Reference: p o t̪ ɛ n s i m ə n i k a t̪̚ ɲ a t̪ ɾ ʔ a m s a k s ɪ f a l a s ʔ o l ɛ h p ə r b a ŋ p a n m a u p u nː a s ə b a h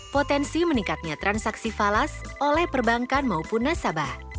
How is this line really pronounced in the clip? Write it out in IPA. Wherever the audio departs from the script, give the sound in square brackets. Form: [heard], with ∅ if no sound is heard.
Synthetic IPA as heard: p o t̪ ɛ n s i m ə n i k a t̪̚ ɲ a t̪ ɾ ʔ a [n] s a k s [i] f a l a s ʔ o l ɛ h p ə r b a ŋ [k] a n m a u p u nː a s [a] b a h

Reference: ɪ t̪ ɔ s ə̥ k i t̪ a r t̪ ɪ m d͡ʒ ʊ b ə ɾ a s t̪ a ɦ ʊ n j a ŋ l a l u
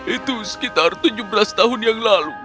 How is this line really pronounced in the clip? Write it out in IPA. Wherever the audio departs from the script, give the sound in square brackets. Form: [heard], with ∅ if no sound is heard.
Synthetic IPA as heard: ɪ t̪ [u] s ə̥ k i t̪ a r t̪ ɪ [ɲ] d͡ʒ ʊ b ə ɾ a s t̪ a ɦ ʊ n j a ŋ l a l u

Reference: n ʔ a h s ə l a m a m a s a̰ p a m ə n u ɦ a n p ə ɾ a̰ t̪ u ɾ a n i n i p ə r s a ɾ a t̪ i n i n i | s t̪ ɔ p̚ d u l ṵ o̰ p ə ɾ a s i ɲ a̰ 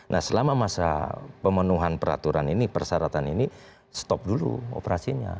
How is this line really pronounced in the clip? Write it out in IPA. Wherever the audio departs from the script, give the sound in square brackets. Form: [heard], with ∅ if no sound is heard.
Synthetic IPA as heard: n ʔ a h s ə l a m a m a s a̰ p [ə] m ə n u ɦ a n p ə ɾ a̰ t̪ u ɾ a n i n i p ə r s a ɾ a t̪ [a] n i n i | s t̪ ɔ p̚ d u l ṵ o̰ p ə ɾ a s i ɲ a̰

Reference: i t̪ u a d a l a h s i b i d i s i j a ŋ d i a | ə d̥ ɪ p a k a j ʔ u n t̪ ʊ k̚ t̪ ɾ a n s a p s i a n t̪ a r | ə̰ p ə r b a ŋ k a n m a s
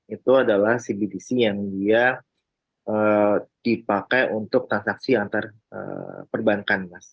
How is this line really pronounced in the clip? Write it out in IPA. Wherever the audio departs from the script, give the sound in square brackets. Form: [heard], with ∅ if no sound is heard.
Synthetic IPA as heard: i t̪ u a d a l a h s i b i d i s i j a ŋ d i a | ə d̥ [i] p a k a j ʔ u n t̪ ʊ k̚ t̪ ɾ a n s a [k] s i a n t̪ a r | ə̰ p ə r b a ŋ k a n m a s

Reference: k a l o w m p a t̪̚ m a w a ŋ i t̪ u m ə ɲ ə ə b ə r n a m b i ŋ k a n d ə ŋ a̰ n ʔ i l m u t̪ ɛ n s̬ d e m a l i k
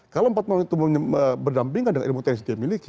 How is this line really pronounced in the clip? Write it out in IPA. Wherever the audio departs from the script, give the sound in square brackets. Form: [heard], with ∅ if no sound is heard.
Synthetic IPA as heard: k a l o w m p a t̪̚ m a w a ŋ i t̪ u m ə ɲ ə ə b ə r [d] a m [p] i ŋ k a n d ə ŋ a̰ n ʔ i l m u t̪ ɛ n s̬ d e m [i] l i k

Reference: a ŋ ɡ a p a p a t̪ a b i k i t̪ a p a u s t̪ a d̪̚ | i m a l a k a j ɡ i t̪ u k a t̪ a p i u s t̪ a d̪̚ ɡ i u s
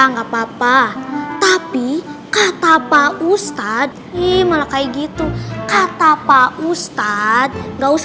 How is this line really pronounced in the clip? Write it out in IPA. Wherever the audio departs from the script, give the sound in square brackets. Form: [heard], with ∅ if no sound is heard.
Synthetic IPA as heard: a ŋ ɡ a p a p a t̪ a [p] i k [a] t̪ a p a u s t̪ a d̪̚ | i m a l a k a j ɡ i t̪ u k a t̪ a p [a] u s t̪ a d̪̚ ɡ [a] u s

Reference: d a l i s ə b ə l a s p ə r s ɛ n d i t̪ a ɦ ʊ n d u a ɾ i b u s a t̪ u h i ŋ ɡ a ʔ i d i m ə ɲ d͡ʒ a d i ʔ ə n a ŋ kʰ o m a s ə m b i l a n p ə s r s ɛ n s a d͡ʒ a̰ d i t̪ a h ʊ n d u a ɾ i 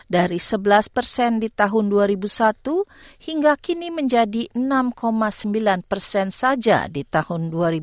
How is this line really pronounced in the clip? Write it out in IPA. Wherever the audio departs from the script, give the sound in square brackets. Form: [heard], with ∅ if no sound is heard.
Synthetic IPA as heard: d a [ɾ] i s ə b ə l a s p ə r s ɛ n d i t̪ a ɦ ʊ n d u a ɾ i b u s a t̪ u h i ŋ ɡ a [k] i [n] i m ə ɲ d͡ʒ a d i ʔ ə n a [m] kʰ o m a s ə m b i l a n p ə [∅] r s ɛ n s a d͡ʒ a̰ d i t̪ a h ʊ n d u a ɾ i

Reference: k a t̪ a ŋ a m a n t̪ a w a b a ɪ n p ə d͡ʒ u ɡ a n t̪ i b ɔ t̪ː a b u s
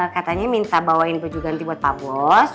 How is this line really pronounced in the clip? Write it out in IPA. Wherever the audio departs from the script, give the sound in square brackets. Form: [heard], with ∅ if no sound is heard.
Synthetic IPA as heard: k a t̪ a [ɲ] a m [i] n t̪ a [b] a [w] a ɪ n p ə d͡ʒ u ɡ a n t̪ i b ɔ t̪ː a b [ɔ] s

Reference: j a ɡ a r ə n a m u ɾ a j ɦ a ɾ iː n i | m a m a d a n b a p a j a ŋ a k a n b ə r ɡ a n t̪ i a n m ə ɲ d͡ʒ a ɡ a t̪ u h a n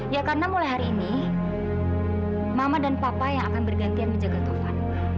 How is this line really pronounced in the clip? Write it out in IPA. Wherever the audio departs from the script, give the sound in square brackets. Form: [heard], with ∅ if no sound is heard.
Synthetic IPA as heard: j a [k] a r ə n a m u [l] a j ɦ a ɾ iː n i | m a m a d a n [p] a p a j a ŋ a k a n b ə r ɡ a n t̪ i a n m ə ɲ d͡ʒ a ɡ a t̪ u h a n

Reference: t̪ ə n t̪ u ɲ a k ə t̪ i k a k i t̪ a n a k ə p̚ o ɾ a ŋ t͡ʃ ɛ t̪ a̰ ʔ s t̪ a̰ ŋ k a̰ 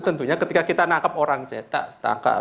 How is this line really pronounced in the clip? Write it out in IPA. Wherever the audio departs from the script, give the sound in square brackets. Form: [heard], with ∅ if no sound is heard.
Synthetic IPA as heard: t̪ ə n t̪ u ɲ a k ə t̪ i k a k i t̪ a n a k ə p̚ o ɾ a ŋ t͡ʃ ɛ t̪ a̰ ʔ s t̪ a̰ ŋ k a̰

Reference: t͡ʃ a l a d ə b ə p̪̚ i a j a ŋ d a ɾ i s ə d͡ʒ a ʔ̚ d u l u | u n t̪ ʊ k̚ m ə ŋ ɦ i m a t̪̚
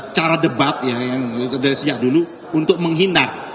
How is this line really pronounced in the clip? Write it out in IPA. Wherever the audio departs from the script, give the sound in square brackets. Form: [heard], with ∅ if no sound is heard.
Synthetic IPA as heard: t͡ʃ a [ɾ] a d ə b [a] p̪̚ [j] a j a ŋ d a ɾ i s ə d͡ʒ a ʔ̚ d u l u | u n t̪ ʊ k̚ m ə ŋ ɦ i [n] a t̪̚

